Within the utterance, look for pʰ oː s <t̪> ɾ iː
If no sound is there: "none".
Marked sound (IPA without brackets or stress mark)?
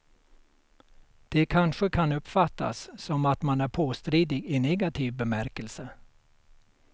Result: t̪